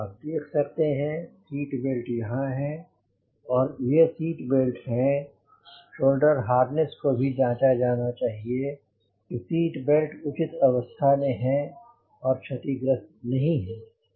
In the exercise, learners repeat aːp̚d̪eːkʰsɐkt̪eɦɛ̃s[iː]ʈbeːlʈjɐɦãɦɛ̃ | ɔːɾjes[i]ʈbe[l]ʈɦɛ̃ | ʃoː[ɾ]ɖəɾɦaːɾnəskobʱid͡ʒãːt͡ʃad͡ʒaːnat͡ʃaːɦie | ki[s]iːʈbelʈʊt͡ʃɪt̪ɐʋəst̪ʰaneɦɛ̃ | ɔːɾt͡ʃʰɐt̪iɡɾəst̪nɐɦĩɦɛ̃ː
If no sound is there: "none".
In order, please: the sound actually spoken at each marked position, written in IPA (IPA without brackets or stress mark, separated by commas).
iː, iː, l, l, s